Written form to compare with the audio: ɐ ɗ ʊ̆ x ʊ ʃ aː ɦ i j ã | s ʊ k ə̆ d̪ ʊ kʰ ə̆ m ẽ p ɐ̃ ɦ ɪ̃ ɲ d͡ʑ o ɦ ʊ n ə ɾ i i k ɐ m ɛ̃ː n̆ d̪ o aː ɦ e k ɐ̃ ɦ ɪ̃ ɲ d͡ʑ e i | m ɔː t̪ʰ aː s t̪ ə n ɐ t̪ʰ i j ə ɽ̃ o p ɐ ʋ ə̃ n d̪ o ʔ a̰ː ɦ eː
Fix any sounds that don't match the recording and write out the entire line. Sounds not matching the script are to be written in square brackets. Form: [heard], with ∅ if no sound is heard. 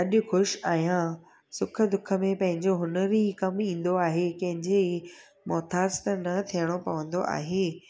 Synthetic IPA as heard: ɐ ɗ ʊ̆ x ʊ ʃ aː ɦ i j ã | s ʊ [kʰ] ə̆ d̪ ʊ kʰ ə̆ m ẽ p ɐ̃ ɦ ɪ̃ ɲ d͡ʑ o ɦ ʊ n ə ɾ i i k ɐ m [ĩː] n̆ d̪ o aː ɦ e k ɐ̃ ɦ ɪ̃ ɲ d͡ʑ e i | m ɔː t̪ʰ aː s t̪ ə n ɐ t̪ʰ i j ə ɽ̃ o p ɐ ʋ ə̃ n d̪ o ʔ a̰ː ɦ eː